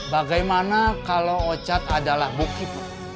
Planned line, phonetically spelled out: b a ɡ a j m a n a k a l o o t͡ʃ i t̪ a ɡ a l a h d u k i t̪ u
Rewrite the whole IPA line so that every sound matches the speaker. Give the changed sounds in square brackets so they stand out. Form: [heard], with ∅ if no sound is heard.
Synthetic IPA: b a ɡ a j m a n a k a l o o t͡ʃ [a] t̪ a [d] a l a h [b] u k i t̪ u